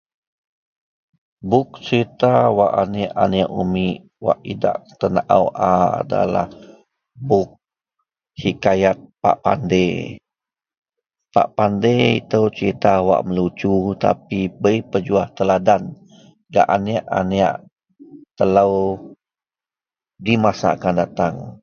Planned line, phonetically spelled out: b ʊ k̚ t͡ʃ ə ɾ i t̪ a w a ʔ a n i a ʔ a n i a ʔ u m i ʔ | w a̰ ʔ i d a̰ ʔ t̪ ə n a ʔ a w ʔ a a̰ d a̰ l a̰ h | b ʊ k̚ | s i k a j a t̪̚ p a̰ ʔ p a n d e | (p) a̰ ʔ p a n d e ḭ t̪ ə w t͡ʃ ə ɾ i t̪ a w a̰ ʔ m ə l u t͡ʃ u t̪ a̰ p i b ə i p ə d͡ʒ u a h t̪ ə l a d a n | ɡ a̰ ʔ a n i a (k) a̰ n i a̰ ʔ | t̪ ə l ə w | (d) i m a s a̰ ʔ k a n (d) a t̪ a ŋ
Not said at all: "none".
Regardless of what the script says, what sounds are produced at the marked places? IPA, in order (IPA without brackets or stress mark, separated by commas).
p, ʔ, d, d